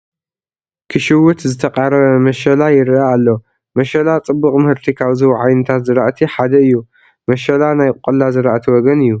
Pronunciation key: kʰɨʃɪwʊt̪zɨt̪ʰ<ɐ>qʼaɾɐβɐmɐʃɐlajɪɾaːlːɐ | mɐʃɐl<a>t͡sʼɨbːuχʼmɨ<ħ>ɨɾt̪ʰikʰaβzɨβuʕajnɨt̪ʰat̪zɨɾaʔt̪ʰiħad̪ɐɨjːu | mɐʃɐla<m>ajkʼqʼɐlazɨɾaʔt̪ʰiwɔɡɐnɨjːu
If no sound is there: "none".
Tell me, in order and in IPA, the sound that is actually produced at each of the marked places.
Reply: ɐ, a, h, n

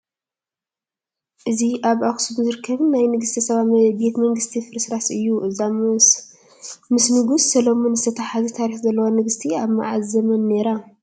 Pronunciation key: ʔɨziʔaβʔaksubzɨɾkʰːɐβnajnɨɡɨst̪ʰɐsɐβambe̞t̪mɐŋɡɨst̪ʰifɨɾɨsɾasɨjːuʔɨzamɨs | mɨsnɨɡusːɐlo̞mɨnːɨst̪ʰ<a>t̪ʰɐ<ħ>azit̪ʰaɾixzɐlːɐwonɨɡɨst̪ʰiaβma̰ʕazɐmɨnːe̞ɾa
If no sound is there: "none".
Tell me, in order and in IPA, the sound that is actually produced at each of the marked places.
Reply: ɐ, ħ

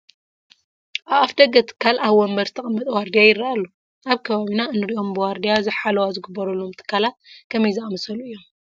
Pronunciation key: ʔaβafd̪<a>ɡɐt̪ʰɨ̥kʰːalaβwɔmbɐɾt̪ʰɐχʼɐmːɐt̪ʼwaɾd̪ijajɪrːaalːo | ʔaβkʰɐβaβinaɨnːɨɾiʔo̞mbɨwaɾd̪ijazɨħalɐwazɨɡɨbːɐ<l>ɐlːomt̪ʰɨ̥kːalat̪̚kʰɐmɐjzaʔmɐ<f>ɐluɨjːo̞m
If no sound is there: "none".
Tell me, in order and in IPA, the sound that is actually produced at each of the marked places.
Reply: ɐ, ɾ, s

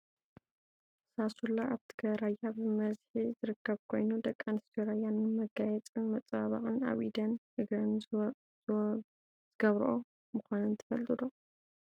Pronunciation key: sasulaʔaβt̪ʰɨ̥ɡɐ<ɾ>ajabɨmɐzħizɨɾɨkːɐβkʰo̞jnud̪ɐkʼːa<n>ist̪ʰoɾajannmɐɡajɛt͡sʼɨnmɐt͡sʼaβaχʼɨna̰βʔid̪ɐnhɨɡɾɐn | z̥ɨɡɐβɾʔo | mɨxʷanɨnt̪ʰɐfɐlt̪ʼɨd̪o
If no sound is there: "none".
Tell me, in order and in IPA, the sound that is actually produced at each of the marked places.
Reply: ɾ, n

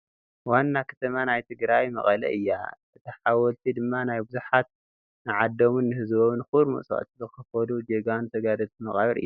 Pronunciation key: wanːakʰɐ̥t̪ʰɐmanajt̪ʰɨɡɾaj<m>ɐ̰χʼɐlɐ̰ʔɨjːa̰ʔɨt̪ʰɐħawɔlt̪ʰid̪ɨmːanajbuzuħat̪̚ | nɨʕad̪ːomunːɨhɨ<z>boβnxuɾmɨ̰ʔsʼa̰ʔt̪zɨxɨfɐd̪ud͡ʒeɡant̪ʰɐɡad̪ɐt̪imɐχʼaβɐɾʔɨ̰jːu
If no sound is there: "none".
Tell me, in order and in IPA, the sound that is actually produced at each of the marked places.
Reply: m, z

